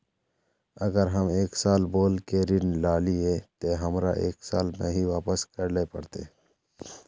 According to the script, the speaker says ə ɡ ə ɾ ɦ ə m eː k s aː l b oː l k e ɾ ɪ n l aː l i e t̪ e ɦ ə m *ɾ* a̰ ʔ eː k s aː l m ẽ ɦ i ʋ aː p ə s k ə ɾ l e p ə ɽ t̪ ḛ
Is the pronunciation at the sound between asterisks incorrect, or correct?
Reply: correct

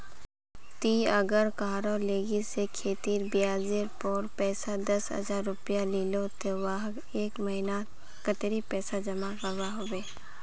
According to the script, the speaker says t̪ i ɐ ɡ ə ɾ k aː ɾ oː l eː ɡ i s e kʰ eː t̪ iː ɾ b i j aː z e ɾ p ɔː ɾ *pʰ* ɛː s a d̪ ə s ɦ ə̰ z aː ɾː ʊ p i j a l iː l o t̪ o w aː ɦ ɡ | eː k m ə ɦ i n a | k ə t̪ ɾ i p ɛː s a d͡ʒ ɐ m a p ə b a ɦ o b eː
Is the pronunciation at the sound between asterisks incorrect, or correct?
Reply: incorrect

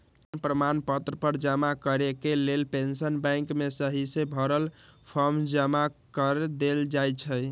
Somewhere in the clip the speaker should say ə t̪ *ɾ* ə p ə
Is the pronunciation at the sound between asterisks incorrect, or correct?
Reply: correct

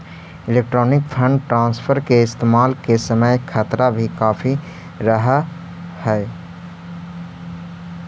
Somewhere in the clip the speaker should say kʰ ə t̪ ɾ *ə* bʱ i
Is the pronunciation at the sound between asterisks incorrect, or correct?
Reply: incorrect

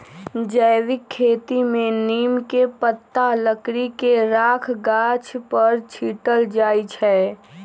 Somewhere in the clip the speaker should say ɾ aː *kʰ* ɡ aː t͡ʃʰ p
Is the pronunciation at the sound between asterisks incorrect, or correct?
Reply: correct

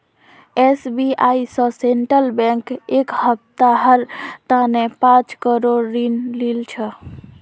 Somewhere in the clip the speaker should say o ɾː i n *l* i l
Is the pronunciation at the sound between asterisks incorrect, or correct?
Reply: correct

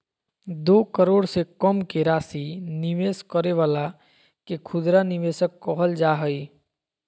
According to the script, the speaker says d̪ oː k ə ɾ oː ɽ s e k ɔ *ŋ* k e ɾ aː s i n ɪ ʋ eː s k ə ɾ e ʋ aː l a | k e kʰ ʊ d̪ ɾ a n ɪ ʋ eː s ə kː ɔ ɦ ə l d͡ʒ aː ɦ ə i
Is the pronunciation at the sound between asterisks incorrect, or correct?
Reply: incorrect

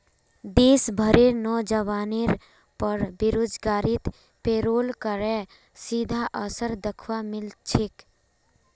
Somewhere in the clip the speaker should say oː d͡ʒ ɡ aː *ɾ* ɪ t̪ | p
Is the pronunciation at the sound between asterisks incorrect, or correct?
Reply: correct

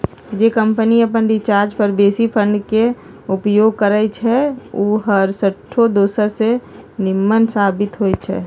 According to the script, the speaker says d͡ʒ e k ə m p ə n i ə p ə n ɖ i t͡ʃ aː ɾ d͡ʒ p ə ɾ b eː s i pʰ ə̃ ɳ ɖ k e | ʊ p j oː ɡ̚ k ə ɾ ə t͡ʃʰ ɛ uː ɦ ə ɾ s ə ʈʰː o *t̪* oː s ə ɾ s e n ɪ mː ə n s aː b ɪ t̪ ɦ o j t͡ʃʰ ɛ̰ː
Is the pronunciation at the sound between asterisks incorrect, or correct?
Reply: incorrect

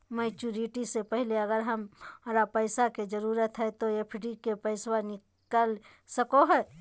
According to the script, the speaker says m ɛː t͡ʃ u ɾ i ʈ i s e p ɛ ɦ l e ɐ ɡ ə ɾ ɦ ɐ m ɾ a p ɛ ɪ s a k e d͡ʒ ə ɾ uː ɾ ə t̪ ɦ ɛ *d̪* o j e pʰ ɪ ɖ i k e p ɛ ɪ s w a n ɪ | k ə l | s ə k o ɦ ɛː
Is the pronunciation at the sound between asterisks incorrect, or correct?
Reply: incorrect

